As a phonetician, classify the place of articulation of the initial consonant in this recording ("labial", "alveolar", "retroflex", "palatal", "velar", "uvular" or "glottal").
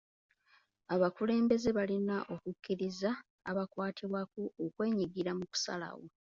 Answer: labial